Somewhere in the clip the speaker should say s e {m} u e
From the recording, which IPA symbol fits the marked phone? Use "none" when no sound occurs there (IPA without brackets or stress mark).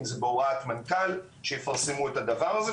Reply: m